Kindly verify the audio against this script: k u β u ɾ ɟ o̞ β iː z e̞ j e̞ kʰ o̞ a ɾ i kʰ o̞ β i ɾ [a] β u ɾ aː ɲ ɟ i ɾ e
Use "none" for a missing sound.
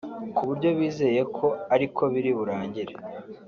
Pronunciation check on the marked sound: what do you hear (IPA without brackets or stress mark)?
i